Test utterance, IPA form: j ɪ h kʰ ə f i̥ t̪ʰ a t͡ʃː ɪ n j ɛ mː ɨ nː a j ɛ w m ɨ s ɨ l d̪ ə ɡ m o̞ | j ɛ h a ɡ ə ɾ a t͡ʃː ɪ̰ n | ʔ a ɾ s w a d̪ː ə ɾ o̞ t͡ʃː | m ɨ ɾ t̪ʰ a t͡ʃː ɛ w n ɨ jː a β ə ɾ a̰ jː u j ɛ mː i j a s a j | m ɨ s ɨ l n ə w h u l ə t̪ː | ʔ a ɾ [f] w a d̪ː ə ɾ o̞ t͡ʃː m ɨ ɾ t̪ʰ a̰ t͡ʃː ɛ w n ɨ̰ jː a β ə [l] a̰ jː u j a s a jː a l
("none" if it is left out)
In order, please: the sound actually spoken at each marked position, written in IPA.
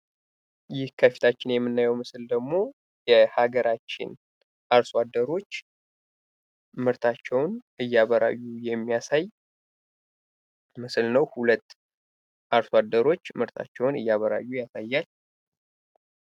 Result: s, ɾ

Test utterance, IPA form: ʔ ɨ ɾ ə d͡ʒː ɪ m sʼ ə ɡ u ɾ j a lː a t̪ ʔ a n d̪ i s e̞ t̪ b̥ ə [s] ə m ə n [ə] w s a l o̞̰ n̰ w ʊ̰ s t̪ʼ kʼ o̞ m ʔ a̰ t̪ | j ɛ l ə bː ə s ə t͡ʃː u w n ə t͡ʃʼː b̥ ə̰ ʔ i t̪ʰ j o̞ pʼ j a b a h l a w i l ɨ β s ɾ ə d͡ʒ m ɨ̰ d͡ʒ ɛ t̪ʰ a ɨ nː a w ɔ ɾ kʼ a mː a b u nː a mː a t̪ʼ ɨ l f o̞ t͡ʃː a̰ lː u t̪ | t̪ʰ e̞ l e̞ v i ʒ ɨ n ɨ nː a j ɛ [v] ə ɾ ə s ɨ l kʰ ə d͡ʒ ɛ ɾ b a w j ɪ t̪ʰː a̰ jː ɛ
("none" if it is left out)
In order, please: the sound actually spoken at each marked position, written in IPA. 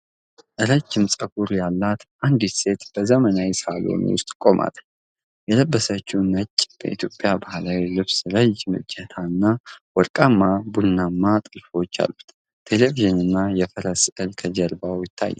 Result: z, a, f

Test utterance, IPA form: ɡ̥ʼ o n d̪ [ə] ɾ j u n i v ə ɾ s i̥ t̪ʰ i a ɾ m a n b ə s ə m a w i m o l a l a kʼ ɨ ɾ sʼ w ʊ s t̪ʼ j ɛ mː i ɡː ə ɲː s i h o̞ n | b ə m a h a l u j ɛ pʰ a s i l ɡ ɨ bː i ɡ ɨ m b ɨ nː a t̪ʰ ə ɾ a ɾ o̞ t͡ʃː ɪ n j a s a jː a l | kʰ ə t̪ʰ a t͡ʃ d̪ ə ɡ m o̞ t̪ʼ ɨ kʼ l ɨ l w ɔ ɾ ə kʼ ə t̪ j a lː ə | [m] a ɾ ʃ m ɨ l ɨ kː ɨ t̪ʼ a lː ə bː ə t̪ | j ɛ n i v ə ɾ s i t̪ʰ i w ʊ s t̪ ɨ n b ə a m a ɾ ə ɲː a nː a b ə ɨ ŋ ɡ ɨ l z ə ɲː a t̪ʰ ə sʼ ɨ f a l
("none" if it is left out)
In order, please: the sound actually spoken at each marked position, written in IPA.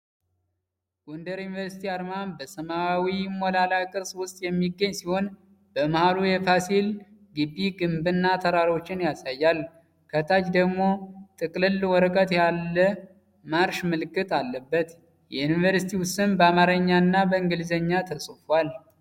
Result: ə, m

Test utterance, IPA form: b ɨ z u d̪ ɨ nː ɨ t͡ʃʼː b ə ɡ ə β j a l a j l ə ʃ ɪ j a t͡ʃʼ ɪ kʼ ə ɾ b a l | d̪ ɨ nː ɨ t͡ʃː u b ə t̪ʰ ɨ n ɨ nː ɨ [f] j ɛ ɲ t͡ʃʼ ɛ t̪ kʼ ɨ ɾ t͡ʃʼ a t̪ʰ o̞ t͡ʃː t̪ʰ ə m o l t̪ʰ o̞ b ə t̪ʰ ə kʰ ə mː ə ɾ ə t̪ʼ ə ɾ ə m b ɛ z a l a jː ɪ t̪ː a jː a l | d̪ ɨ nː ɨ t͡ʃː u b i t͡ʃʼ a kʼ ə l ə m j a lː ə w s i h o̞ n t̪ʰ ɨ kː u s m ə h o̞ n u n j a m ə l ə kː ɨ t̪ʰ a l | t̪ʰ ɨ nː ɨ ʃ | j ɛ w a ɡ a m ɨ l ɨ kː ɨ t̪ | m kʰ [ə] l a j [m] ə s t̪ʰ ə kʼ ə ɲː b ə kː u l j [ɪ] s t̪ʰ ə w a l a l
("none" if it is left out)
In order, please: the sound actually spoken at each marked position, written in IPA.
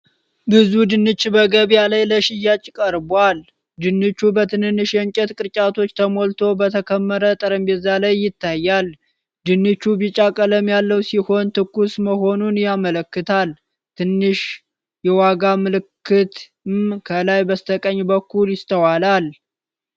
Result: ʃ, ə, b, ɪ

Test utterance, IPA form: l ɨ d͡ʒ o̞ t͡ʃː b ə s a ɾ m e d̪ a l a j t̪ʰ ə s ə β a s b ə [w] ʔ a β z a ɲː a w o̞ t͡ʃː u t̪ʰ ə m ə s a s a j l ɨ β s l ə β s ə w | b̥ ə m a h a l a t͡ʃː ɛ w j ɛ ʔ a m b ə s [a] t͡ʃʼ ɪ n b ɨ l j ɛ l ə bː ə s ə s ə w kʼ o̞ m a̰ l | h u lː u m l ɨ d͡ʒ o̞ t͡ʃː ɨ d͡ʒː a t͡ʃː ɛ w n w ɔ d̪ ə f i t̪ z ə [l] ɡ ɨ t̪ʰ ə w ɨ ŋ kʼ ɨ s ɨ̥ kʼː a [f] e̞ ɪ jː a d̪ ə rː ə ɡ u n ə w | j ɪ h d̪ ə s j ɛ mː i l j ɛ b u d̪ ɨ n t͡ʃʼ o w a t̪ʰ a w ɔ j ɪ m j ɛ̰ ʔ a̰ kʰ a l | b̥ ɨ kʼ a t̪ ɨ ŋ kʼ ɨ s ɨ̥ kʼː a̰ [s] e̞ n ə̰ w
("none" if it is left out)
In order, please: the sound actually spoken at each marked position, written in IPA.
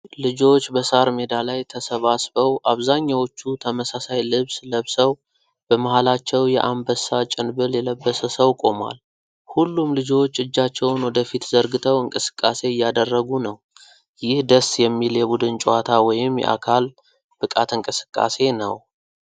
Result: w, a, ɾ, s, s

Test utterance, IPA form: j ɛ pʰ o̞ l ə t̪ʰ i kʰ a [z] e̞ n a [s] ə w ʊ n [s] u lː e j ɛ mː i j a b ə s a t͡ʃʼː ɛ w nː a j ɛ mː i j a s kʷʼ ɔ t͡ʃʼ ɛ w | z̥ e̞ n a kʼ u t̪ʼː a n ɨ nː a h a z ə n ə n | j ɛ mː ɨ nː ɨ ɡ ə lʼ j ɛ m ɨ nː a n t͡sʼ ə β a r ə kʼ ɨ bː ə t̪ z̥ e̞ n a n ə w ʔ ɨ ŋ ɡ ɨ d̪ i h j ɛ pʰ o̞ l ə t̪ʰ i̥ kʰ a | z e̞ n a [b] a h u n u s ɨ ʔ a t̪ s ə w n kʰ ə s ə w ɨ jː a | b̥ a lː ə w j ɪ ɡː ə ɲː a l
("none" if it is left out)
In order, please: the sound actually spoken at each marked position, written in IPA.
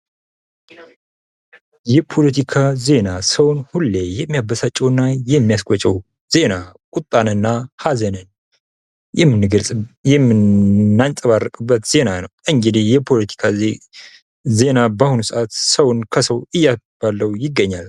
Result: z, s, h, b

